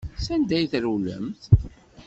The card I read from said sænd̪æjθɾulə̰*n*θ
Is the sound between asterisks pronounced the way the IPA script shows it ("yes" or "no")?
no